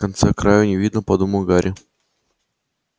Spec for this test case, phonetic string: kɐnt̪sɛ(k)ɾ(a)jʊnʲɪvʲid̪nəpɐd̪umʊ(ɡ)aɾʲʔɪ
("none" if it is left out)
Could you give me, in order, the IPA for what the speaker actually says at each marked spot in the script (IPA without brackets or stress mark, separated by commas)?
k, a, ɡ